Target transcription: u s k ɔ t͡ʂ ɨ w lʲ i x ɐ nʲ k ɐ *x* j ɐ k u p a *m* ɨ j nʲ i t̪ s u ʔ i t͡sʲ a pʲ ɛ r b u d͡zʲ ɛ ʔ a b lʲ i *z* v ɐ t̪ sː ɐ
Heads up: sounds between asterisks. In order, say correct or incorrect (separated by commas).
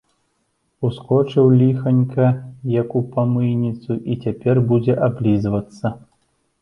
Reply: incorrect, correct, correct